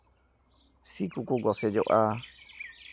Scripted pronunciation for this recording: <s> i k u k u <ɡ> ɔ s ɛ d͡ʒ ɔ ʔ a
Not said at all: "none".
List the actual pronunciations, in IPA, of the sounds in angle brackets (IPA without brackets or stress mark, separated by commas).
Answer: s, ɡ